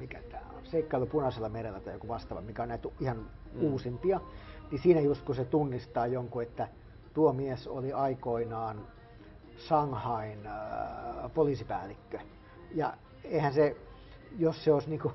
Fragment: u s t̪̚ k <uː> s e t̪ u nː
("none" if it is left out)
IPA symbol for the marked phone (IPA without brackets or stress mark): u